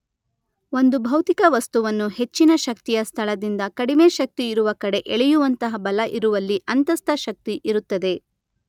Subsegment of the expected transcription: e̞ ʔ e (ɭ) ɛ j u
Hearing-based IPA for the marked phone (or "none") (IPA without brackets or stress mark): ɭ